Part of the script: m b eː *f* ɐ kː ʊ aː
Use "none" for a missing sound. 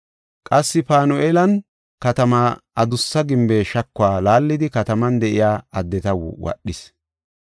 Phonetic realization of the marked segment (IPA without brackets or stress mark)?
ʃ